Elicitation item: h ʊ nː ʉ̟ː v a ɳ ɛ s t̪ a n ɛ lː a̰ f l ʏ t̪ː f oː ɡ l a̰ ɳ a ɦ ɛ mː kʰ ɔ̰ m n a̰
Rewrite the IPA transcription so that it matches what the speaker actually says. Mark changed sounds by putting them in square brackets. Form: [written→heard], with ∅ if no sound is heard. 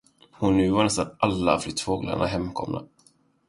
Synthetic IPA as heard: h ʊ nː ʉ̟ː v a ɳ ɛ s t̪ a n [ɛ→a] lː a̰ f l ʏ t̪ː f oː ɡ l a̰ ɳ a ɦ ɛ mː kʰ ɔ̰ m n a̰